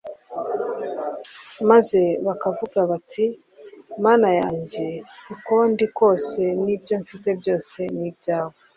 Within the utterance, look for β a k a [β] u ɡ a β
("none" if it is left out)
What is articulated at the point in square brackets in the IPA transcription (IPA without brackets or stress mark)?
v